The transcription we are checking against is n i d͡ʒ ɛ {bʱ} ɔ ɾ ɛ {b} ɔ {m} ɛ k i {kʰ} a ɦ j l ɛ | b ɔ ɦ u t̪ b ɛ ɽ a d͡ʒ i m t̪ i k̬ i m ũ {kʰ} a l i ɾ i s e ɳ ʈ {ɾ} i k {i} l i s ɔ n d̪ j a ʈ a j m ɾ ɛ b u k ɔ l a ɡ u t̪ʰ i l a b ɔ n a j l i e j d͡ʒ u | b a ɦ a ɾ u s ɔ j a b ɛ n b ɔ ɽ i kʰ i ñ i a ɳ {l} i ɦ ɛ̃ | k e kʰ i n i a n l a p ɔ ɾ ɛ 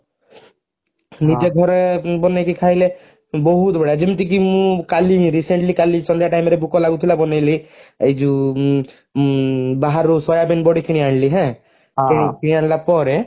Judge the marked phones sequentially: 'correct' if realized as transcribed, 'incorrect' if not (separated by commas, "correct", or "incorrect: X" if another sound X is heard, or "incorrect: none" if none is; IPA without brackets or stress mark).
incorrect: ɡʱ, correct, incorrect: n, correct, incorrect: k, incorrect: l, incorrect: a, correct